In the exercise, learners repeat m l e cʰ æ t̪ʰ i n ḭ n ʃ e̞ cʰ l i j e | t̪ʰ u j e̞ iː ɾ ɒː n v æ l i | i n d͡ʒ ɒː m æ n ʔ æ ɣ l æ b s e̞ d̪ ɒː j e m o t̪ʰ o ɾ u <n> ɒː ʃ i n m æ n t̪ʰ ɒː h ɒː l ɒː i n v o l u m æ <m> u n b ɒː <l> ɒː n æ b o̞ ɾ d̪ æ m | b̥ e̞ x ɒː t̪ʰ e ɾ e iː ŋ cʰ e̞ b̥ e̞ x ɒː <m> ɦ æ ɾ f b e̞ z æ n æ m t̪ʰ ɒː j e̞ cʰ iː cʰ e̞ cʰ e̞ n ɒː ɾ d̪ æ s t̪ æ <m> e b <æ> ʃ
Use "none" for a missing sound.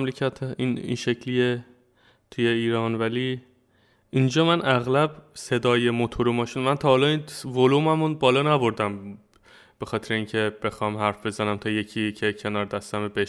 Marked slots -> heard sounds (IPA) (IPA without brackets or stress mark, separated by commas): m, m, l, m, m, e